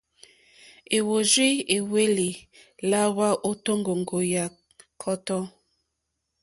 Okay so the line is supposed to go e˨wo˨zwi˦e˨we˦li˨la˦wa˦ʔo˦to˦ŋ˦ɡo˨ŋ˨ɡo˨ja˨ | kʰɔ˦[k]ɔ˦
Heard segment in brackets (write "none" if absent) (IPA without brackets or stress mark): t